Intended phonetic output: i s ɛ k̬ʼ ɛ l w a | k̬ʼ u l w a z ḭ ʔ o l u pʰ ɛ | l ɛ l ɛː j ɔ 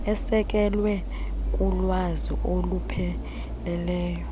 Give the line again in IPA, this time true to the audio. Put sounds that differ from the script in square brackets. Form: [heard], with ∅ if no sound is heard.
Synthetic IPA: [ɛ] s ɛ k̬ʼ ɛ l w [ɛ] | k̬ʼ u l w a z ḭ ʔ o l u pʰ ɛ | l ɛ l ɛː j ɔ